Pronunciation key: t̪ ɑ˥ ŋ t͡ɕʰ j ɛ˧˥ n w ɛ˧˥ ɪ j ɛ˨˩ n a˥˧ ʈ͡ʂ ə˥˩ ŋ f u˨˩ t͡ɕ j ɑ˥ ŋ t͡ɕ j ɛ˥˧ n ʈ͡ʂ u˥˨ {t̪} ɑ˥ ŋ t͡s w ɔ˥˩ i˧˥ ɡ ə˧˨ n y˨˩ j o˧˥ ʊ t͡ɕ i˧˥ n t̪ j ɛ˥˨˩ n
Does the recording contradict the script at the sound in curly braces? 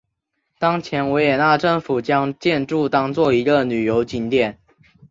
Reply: no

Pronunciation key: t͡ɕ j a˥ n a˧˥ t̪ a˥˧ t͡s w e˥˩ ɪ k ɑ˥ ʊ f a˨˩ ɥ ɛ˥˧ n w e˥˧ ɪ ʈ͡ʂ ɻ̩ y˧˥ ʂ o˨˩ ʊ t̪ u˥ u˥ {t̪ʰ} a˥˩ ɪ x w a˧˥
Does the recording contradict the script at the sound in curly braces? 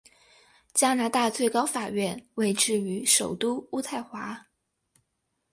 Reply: no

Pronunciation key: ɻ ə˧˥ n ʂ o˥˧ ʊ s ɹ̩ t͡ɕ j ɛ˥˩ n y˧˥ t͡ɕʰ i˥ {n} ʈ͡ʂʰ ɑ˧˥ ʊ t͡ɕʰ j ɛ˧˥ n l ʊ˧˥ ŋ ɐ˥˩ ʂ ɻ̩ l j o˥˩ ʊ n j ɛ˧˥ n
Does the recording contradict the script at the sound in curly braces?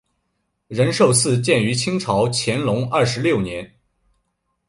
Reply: yes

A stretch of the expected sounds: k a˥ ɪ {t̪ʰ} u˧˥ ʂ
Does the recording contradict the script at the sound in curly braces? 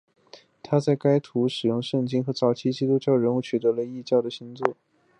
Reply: no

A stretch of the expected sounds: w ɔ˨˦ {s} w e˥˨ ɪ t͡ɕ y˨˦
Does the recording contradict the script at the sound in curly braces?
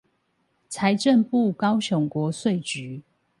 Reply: no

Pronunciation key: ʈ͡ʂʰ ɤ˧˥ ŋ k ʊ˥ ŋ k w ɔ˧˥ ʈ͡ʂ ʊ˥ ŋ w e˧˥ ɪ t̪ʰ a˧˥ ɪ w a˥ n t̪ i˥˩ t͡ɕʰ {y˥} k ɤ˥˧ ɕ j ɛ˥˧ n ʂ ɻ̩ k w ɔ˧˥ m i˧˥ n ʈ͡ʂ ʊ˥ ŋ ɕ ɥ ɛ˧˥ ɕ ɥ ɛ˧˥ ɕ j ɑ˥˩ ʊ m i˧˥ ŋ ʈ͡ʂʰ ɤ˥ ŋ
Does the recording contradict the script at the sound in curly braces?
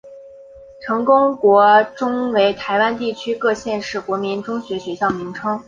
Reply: no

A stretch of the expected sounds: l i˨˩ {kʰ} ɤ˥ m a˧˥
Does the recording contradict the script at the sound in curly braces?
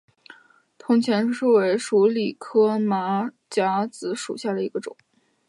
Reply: no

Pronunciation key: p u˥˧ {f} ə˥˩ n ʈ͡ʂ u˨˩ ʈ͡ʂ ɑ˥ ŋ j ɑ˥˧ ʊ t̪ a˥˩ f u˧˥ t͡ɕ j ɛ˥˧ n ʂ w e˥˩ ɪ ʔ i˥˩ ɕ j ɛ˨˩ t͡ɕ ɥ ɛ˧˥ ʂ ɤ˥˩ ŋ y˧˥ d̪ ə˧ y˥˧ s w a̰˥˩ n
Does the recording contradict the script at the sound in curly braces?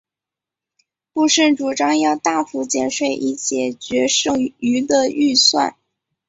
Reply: yes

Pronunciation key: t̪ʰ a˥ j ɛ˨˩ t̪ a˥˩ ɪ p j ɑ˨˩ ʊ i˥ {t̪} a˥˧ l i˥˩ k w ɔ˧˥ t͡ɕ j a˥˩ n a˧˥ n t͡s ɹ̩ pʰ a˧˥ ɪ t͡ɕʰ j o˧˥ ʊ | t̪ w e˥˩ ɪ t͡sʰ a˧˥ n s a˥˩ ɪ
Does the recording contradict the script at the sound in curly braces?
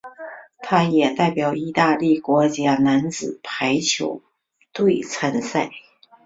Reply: no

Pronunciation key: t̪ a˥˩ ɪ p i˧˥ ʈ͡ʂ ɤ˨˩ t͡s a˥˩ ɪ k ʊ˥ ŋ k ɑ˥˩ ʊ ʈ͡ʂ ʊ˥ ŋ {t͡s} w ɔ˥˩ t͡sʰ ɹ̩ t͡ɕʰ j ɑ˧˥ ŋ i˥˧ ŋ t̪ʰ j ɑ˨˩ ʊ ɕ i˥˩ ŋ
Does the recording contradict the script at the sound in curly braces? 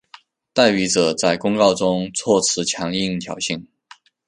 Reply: yes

